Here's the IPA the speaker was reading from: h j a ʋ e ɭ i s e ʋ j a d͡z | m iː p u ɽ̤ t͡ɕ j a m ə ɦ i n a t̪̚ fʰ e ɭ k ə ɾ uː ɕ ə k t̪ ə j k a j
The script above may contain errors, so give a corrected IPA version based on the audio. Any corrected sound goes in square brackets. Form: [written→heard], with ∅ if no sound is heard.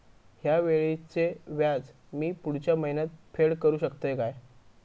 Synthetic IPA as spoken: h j a ʋ e ɭ i [s→t͡s] e ʋ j a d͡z | m iː p u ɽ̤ t͡ɕ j a m ə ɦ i n a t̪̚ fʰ e ɭ k ə ɾ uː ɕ ə k t̪ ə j k a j

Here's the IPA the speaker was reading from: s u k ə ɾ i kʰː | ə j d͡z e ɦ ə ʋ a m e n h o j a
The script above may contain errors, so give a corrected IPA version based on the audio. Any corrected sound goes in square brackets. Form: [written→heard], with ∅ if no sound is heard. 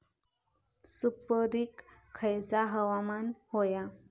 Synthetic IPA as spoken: s u [k→p] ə ɾ i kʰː | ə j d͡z [e→a] ɦ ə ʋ a m [e→a] n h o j a

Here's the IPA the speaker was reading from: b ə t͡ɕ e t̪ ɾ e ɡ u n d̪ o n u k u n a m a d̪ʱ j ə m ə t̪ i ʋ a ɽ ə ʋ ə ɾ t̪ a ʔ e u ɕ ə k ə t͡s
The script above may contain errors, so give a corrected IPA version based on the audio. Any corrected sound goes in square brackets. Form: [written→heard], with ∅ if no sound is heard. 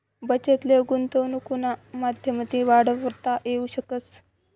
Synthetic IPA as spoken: b ə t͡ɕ e t̪ [ɾ→l] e ɡ u n [d̪→t̪] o n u k u n a m a d̪ʱ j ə m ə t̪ i ʋ a ɽ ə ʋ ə ɾ t̪ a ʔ e u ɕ ə k ə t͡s

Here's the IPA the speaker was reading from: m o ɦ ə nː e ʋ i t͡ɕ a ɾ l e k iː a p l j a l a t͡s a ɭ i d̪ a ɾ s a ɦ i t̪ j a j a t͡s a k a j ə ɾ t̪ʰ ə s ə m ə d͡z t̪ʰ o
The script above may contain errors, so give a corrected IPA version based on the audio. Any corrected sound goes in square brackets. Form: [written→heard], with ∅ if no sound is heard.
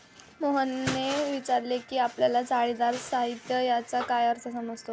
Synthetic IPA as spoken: m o ɦ ə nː e ʋ i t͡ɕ a ɾ l e k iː a p l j a l a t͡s a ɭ i d̪ a ɾ s a ɦ i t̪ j [a→ə] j a t͡s a k a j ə ɾ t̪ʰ ə s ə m ə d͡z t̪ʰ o

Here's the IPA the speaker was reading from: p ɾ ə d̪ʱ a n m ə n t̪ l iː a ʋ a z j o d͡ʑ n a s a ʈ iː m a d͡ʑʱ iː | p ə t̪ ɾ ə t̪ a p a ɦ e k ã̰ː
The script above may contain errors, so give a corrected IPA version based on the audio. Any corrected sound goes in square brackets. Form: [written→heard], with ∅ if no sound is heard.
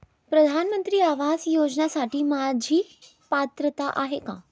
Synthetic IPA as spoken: p ɾ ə d̪ʱ a n m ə n t̪ [l→ɾ] iː a ʋ a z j o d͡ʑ n a s a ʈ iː m a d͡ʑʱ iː | p [ə→a] t̪ ɾ ə t̪ a [p→ʔ] a ɦ e k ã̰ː

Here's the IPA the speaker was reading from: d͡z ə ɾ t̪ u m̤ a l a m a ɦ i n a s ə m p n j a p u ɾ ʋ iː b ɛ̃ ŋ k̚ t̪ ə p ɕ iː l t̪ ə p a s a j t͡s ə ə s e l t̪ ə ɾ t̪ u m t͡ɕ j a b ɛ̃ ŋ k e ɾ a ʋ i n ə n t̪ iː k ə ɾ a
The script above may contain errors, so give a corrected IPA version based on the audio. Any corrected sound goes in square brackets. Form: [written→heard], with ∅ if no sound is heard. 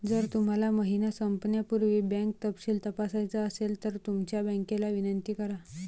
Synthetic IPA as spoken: d͡z ə ɾ t̪ u m̤ a l a m [a→ə] ɦ i n a s ə m p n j a p u ɾ ʋ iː b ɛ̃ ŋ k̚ t̪ ə p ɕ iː l t̪ ə p a s a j t͡s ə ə s e l t̪ ə ɾ t̪ u m t͡ɕ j a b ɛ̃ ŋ k e [ɾ→l] a ʋ i n ə n t̪ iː k ə ɾ a

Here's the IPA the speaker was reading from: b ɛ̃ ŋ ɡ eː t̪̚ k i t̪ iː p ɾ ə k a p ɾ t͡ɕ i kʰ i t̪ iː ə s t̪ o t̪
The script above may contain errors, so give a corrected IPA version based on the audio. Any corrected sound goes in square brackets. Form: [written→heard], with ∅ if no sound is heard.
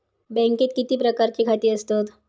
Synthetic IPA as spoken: b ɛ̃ ŋ [ɡ→k] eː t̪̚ k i t̪ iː p ɾ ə k a [p→∅] ɾ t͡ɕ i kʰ [i→a] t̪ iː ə s t̪ o t̪

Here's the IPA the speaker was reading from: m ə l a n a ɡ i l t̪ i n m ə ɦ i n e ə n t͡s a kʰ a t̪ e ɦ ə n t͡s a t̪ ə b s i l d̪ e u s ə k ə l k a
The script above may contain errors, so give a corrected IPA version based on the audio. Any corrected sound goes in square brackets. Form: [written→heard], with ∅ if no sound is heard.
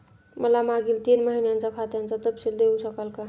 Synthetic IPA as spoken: m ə l a [n→m] a ɡ i l t̪ i n m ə ɦ i n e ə n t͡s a kʰ a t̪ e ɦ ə n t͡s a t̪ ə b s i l d̪ e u s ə k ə l k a

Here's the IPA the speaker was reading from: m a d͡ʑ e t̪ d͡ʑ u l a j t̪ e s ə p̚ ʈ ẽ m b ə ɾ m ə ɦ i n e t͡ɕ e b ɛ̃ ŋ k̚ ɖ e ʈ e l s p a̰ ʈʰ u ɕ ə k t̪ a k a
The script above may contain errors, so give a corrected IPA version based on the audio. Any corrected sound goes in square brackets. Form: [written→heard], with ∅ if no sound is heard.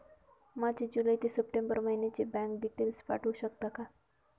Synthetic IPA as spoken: m a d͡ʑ e [t̪→∅] d͡ʑ u l a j t̪ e s ə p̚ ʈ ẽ m b ə ɾ m ə ɦ i n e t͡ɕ e b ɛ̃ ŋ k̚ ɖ [e→i] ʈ e l s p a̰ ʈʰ u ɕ ə k t̪ a k a

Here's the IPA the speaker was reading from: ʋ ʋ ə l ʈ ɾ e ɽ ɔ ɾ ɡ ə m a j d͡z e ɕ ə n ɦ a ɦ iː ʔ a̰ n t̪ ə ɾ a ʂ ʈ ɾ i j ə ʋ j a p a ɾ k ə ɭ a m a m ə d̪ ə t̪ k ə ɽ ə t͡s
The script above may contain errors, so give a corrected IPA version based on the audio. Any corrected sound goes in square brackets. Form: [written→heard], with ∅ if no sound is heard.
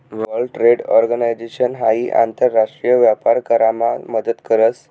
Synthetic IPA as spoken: ʋ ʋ ə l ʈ ɾ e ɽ ɔ ɾ ɡ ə [m→n] a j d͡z e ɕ ə n ɦ a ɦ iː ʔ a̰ n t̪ ə [ɾ→ɾː] a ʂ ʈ ɾ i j ə ʋ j a p a ɾ k ə [ɭ→ɾ] a m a m ə d̪ ə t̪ k ə [ɽ→ɾ] ə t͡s

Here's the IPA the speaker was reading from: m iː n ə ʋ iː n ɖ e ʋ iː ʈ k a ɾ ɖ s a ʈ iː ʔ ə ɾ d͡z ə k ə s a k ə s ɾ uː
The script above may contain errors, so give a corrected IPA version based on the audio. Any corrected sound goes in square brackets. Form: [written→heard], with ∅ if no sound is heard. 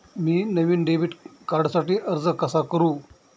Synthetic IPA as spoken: m iː n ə ʋ iː n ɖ e ʋ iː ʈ k a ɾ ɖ s a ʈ iː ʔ ə ɾ d͡z ə k ə s a k ə [s→∅] ɾ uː

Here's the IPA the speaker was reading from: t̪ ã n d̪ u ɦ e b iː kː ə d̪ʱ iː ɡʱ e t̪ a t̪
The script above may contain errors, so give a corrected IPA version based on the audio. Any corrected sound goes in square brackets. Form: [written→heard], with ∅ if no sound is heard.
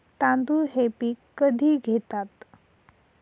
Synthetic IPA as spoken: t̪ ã n d̪ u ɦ e [b→p] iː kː ə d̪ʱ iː ɡʱ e t̪ a t̪

